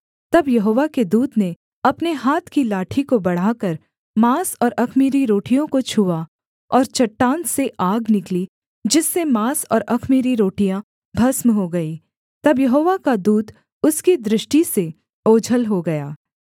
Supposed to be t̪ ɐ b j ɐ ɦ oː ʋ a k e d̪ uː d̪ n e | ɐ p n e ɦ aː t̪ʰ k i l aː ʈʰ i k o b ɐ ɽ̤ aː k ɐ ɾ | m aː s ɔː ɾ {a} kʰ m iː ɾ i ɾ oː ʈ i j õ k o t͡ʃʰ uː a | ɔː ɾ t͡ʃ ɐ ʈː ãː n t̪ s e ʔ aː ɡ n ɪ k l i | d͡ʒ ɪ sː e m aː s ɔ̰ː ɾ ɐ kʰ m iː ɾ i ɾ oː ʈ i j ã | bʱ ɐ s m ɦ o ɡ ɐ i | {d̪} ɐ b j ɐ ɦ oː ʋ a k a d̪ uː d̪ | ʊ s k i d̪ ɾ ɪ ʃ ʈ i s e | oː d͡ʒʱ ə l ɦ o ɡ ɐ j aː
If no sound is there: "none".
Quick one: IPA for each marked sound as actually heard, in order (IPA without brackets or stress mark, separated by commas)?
ɐ, t̪